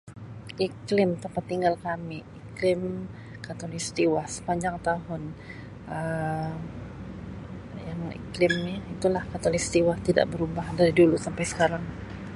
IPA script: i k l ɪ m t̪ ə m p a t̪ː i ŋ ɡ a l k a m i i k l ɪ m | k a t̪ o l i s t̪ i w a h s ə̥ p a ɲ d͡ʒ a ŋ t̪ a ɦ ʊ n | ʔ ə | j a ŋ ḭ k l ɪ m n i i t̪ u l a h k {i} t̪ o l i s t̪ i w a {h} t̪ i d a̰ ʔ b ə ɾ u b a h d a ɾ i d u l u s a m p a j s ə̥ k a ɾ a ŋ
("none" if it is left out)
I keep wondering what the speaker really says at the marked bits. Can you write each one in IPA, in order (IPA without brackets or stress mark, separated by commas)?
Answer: a, h